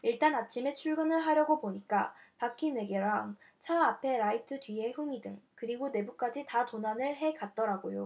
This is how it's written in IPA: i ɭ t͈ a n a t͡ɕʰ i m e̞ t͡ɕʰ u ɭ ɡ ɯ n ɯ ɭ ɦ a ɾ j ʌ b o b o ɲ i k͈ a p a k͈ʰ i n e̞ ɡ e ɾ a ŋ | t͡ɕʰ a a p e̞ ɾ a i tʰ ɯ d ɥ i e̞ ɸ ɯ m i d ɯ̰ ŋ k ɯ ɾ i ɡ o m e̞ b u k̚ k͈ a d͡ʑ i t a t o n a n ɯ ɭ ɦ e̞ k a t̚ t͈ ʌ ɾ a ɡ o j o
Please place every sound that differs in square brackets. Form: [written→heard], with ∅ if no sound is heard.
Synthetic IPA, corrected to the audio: i ɭ t͈ a n a t͡ɕʰ i m e̞ t͡ɕʰ u ɭ ɡ ɯ n ɯ ɭ ɦ a ɾ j ʌ [b→ɡ] o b o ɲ i k͈ a p a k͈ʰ i n e̞ ɡ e ɾ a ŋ | t͡ɕʰ a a [p→pʰ] e̞ ɾ a i tʰ ɯ d ɥ i e̞ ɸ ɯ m i d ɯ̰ ŋ k ɯ ɾ i ɡ o [m→n] e̞ b u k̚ k͈ a d͡ʑ i t a t o n a n ɯ ɭ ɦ e̞ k a t̚ t͈ ʌ ɾ a ɡ o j o